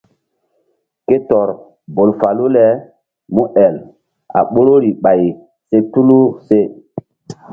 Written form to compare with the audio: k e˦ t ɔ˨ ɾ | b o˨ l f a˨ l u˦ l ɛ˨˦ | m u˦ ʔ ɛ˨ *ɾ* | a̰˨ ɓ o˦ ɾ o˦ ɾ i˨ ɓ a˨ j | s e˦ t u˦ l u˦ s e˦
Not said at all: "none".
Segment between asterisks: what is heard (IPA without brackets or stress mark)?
l